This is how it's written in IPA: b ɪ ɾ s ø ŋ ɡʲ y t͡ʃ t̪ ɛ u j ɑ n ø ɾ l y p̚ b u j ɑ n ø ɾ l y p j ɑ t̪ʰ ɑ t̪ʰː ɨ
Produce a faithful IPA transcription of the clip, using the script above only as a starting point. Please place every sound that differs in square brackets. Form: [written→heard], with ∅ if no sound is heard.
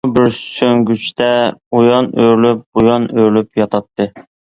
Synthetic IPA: b ɪ ɾ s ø ŋ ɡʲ y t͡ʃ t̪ ɛ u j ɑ n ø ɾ l y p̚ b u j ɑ n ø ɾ l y p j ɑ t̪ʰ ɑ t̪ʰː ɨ